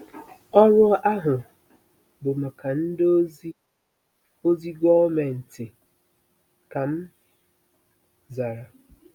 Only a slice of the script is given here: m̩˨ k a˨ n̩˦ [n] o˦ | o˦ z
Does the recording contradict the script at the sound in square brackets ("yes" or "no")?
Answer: yes